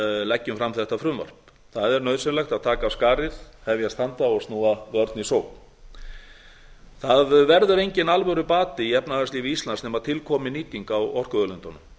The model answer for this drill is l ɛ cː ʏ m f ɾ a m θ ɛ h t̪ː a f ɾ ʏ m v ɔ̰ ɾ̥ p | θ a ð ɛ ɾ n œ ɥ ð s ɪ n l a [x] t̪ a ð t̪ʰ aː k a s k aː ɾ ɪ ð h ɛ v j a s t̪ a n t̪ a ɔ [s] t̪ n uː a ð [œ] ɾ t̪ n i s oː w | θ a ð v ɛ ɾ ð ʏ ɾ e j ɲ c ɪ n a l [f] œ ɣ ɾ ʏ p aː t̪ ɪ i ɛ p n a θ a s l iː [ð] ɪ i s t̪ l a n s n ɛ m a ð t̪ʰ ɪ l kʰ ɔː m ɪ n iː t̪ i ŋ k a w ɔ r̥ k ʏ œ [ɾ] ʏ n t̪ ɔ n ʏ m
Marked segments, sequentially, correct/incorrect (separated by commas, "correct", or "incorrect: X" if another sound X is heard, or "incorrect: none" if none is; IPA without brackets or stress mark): correct, correct, correct, incorrect: v, incorrect: v, incorrect: l